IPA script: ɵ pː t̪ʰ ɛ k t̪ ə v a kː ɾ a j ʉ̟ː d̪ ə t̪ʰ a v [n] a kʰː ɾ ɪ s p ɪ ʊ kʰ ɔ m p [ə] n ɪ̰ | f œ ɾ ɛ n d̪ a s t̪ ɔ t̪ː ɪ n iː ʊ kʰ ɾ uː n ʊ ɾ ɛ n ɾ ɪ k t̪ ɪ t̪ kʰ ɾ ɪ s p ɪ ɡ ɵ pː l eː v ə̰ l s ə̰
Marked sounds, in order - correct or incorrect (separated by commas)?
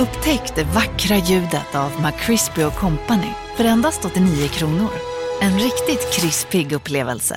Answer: incorrect, incorrect